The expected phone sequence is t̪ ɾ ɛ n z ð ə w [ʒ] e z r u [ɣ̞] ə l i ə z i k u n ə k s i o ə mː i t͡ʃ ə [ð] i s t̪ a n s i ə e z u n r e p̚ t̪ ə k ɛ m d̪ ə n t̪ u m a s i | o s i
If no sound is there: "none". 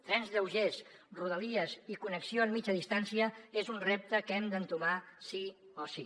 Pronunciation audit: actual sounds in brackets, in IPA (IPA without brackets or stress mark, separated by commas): ʒ, ð̞, ð